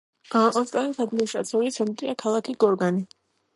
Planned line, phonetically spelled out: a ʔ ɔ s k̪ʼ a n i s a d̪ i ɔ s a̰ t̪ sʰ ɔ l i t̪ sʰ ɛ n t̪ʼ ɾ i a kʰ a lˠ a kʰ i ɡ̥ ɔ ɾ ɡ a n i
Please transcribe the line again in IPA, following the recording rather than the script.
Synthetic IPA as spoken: a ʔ ɔ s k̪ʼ a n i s a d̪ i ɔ ʃ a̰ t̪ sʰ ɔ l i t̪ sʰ ɛ n t̪ʼ ɾ i a kʰ a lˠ a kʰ i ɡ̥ ɔ ɾ ɡ a n i